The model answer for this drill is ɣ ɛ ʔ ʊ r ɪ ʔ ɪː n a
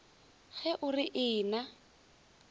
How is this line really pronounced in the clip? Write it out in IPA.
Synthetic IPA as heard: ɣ ɛ ʔ ʊ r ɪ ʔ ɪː n a